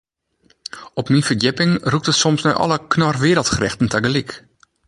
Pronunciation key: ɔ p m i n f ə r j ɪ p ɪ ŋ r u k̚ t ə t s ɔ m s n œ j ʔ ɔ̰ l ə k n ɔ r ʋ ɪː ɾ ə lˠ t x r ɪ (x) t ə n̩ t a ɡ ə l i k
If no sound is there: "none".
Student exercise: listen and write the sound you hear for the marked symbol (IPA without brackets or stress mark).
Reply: x